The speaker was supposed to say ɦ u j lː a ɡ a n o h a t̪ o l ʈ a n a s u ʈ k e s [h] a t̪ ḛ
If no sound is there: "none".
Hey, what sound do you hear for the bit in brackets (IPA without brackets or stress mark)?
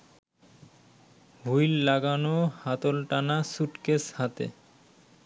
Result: h